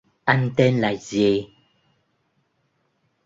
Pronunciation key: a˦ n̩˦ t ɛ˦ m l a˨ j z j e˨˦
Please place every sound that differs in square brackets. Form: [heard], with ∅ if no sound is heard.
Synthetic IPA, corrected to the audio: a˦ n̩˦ t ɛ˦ [n] l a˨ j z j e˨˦